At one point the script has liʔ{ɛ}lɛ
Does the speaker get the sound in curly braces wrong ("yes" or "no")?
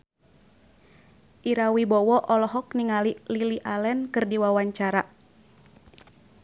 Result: yes